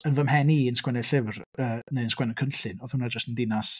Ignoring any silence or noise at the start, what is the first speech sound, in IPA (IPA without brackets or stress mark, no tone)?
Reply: ə